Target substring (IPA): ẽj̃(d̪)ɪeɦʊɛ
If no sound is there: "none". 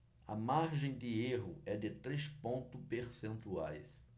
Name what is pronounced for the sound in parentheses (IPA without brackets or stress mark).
d̪